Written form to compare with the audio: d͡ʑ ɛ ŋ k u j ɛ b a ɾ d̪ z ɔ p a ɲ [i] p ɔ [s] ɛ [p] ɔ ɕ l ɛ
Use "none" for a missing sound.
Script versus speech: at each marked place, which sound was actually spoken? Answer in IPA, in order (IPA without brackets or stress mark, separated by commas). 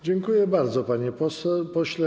ɛ, s, p